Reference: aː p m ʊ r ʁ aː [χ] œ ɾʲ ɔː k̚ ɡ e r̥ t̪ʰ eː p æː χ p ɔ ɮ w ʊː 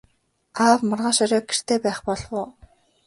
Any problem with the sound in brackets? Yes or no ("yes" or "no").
yes